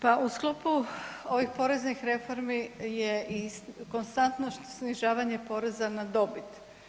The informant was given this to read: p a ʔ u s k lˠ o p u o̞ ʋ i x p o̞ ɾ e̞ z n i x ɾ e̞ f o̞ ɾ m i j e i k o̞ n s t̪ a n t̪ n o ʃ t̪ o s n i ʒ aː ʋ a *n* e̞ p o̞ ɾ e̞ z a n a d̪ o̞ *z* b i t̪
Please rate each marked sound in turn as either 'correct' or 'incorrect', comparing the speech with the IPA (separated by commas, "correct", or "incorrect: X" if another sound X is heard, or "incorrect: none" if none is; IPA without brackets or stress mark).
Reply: incorrect: ɲ, incorrect: none